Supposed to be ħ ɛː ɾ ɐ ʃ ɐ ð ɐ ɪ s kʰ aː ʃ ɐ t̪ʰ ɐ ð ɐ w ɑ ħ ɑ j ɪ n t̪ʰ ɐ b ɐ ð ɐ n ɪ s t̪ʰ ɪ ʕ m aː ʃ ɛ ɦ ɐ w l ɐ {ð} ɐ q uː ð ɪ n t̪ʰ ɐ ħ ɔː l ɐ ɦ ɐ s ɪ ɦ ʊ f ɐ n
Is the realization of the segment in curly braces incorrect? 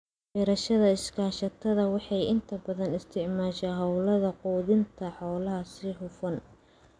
no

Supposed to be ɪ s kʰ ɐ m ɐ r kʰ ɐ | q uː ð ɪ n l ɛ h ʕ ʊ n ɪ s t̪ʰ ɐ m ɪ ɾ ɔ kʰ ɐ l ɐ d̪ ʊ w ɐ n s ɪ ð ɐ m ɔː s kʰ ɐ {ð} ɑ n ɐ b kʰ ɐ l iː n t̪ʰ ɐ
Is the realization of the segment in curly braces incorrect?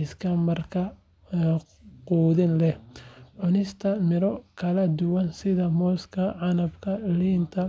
yes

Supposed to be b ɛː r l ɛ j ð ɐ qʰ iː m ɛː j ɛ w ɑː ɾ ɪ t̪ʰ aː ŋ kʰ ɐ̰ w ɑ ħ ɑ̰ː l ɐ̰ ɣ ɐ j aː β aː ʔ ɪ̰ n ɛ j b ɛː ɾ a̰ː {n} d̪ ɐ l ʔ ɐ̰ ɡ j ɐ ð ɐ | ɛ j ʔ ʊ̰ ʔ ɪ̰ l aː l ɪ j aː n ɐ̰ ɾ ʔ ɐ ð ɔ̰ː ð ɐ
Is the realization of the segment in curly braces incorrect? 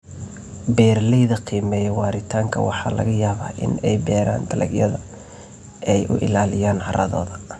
no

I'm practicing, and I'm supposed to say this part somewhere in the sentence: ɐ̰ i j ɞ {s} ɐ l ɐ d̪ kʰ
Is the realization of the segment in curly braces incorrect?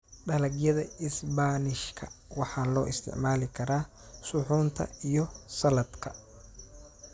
no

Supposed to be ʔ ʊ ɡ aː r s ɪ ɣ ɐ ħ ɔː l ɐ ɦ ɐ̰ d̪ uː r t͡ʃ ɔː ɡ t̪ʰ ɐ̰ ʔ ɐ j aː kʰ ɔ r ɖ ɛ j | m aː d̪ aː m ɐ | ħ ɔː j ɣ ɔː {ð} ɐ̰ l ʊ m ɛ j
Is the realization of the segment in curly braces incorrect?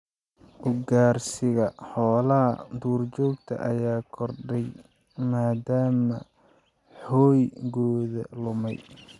no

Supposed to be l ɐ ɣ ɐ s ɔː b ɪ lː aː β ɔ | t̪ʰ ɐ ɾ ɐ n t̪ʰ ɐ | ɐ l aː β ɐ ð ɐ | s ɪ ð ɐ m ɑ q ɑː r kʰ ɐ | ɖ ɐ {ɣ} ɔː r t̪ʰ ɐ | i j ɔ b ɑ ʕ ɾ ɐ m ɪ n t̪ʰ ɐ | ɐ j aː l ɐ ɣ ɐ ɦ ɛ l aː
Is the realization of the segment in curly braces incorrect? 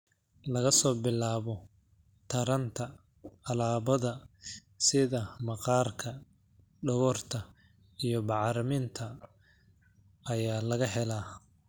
no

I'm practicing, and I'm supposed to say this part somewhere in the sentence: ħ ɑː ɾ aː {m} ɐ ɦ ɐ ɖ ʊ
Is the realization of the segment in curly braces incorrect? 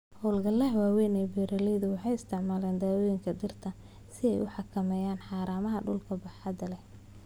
no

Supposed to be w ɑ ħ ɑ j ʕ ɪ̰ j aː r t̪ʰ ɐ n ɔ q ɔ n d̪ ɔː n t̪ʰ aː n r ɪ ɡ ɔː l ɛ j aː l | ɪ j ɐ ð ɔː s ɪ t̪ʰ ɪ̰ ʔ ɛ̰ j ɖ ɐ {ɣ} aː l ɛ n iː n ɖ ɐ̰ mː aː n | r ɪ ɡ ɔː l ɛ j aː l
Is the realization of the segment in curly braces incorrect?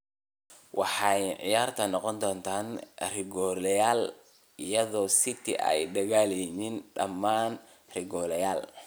no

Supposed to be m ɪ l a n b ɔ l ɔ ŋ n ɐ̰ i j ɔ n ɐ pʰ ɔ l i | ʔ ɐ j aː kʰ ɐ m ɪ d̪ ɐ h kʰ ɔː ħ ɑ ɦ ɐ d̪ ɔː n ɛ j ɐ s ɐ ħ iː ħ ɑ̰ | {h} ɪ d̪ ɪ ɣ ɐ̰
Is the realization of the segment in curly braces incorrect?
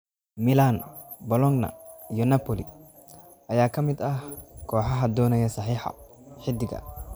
yes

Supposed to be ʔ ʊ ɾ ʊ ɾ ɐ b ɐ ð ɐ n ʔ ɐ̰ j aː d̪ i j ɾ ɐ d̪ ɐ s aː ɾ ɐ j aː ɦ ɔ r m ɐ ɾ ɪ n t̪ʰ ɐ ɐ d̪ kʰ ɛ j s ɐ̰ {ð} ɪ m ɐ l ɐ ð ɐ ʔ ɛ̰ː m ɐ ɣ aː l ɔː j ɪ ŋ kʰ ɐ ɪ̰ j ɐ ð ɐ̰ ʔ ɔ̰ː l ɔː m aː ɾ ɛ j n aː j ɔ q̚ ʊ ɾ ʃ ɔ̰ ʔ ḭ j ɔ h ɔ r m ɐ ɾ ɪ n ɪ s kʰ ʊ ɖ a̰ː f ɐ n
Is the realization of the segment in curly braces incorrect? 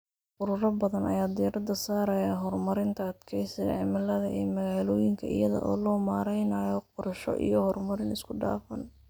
yes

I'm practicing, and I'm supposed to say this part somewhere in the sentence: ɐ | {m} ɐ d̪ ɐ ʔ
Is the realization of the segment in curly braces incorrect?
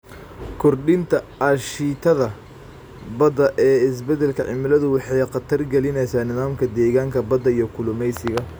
yes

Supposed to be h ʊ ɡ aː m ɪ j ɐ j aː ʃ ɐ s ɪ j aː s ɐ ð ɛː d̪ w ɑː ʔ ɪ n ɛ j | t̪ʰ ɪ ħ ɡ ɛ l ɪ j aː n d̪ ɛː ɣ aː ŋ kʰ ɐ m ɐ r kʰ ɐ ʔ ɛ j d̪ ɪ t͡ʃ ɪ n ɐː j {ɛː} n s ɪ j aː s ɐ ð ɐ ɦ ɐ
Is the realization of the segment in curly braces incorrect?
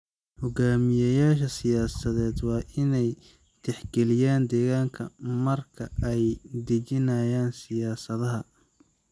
yes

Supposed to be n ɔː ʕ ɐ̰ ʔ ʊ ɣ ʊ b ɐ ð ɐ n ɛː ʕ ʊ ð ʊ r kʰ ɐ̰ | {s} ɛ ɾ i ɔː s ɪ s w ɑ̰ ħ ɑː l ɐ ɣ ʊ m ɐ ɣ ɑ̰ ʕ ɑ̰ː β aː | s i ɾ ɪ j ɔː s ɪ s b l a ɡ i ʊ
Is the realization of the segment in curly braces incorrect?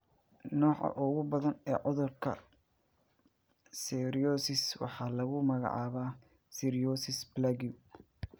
no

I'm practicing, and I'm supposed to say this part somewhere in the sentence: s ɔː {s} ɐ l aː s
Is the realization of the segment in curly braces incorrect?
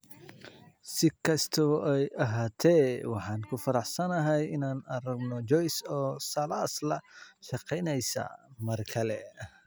no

